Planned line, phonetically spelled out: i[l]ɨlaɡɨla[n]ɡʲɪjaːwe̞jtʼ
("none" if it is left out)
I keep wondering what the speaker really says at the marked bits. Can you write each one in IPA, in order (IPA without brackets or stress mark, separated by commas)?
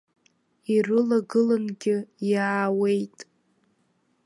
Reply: r, n